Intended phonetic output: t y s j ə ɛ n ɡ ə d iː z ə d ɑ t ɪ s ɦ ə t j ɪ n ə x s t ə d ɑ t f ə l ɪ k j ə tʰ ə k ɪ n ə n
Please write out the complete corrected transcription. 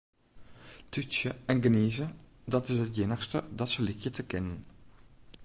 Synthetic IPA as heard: t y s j ə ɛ n ɡ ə n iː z ə d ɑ t ɪ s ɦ ə t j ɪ n ə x s t ə d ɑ t s ə l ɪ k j ə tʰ ə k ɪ n ə n

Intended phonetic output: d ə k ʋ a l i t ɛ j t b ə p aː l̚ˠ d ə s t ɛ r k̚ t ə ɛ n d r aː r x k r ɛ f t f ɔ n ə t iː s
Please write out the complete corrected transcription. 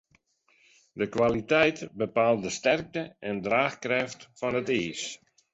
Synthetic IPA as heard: d ə k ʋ a l i t ɛ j t b ə p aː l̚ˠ d ə s t ɛ r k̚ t ə ɛ n d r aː x k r ɛ f t f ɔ n ə t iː s

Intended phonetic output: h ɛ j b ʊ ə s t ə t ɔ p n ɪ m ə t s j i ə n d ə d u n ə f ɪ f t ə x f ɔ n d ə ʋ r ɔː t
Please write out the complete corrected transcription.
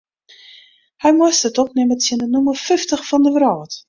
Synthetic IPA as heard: h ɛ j m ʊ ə s t ə t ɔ p n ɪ m ə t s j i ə n d ə n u m ə f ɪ f t ə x f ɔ n d ə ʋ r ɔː t

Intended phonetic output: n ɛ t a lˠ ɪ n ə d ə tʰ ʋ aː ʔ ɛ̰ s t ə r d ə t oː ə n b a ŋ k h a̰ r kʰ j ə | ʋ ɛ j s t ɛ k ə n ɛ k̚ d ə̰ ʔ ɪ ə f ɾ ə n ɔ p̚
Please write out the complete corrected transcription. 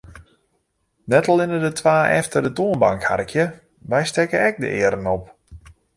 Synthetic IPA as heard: n ɛ t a lˠ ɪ n ə d ə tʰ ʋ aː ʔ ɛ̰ f t ə r d ə t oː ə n b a ŋ k h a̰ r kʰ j ə | ʋ ɛ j s t ɛ k ə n ɛ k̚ d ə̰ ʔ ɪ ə ɾ ə n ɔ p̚

